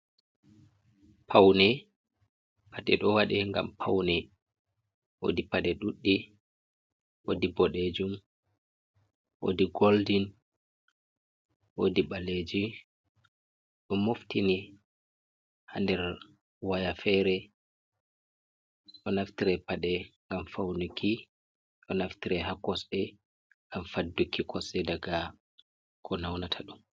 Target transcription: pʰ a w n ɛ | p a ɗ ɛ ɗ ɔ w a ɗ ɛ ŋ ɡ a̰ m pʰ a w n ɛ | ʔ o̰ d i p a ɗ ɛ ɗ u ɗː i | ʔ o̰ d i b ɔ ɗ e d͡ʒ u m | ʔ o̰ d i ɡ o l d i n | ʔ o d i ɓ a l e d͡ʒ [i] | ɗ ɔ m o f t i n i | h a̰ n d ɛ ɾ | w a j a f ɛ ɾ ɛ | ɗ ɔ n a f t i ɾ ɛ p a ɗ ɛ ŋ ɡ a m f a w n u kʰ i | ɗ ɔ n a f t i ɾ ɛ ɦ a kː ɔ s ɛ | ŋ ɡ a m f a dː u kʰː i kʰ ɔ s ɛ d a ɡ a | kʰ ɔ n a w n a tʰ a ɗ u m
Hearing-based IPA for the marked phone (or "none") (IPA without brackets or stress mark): i